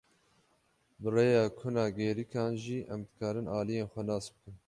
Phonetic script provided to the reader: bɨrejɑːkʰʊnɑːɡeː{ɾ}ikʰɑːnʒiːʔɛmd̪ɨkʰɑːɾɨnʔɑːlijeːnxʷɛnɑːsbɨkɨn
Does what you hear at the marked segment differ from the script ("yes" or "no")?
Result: no